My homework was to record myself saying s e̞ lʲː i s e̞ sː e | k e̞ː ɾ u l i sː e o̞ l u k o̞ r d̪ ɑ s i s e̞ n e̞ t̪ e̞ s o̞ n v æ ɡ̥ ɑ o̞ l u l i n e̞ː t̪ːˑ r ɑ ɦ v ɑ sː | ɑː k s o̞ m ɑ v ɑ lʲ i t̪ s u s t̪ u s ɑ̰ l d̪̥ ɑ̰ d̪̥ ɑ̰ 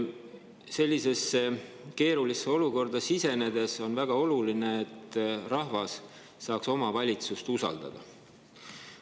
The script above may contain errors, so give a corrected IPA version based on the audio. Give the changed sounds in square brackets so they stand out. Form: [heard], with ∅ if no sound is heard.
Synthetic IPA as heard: s e̞ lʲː i s e̞ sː e | k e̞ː ɾ u l i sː e o̞ l u k o̞ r d̪ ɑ s i s e̞ n e̞ [d̪] e̞ s o̞ n v æ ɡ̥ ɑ o̞ l u l i n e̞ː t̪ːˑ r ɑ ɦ v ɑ sː | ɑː k s o̞ m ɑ v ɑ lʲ i t̪ s u s t̪ u s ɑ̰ l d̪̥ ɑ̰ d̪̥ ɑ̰